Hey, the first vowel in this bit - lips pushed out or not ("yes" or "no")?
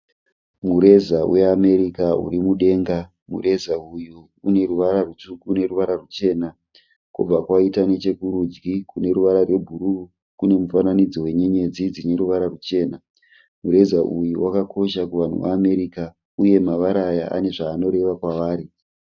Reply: yes